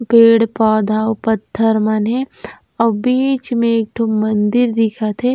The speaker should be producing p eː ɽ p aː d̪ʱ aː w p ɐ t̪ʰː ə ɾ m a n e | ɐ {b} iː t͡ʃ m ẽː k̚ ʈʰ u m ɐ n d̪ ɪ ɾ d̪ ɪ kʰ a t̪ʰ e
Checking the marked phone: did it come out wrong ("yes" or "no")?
no